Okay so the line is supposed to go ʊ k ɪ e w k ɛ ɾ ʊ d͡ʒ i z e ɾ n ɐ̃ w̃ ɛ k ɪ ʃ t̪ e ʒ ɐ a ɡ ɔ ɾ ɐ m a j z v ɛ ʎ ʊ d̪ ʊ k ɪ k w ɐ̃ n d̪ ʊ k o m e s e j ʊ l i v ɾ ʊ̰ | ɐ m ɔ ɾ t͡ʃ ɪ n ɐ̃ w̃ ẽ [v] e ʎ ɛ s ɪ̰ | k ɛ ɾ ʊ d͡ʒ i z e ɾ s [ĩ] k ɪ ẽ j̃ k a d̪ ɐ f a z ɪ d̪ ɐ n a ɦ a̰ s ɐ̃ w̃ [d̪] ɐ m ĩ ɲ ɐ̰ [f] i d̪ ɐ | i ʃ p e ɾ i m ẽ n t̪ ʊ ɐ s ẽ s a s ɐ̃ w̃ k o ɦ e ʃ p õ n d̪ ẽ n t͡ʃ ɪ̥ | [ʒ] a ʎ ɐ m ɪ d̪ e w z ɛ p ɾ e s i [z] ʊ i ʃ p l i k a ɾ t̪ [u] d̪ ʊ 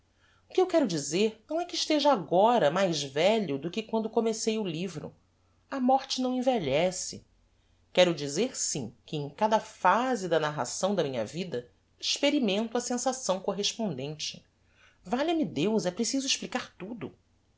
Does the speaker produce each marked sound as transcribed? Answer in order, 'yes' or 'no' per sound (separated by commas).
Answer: yes, yes, yes, no, no, yes, yes